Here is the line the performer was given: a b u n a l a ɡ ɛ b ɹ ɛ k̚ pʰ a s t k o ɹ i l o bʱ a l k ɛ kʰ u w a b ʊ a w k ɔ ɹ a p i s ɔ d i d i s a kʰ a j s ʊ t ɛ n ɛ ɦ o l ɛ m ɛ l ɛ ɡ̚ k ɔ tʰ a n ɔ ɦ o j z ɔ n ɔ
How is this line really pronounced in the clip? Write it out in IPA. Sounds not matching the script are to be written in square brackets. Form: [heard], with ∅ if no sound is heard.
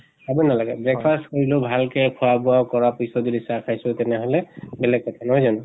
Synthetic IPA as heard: a b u n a l a ɡ ɛ b ɹ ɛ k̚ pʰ a s t k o ɹ i l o bʱ a l k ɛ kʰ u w a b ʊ a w k ɔ ɹ a p i s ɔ d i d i s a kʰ a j s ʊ t ɛ n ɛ ɦ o l ɛ [b] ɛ l ɛ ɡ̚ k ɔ tʰ a n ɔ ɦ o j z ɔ n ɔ